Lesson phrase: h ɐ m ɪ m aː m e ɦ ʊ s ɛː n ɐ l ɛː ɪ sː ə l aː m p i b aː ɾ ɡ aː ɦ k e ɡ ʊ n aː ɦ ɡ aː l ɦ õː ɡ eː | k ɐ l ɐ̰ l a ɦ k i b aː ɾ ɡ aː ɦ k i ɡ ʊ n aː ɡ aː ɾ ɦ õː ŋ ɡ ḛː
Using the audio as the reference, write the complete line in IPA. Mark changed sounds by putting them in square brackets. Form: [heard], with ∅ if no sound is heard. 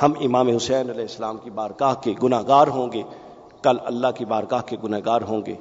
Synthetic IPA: h ɐ m ɪ m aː m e ɦ ʊ s ɛː n ɐ l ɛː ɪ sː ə l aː m [k] i b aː ɾ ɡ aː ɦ k e ɡ ʊ n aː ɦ ɡ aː [ɾ] ɦ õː ɡ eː | k ɐ l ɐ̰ [lː] a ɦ k i b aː ɾ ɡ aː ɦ k [e] ɡ ʊ n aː ɡ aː ɾ ɦ õː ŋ ɡ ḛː